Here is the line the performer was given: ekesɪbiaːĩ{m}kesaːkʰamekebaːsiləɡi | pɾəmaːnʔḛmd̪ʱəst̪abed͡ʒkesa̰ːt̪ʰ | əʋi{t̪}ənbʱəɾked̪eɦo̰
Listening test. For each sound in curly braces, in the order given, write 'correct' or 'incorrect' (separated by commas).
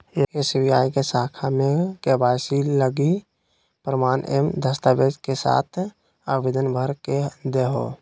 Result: incorrect, incorrect